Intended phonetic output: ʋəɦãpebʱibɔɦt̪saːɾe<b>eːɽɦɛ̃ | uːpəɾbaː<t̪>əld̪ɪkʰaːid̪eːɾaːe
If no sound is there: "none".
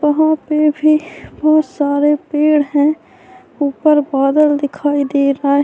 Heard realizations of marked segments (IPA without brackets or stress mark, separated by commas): p, d̪